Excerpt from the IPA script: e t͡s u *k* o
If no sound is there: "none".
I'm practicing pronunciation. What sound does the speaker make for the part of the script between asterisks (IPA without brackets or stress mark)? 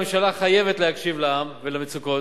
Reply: k